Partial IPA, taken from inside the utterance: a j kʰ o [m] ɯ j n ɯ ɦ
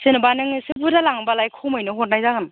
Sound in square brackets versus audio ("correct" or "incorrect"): correct